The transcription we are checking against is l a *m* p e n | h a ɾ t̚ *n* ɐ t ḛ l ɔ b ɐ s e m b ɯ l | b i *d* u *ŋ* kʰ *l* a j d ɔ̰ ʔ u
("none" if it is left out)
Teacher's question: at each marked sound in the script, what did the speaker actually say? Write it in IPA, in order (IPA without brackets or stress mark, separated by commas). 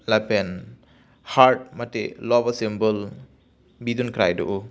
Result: none, m, d, n, ɾ